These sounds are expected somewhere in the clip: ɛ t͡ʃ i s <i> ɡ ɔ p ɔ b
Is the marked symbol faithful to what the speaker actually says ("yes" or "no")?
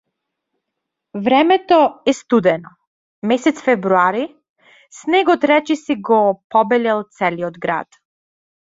yes